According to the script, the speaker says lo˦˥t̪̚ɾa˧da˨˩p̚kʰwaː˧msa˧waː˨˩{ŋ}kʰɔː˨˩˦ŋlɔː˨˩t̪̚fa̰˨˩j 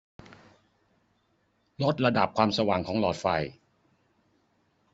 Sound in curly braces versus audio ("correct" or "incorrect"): correct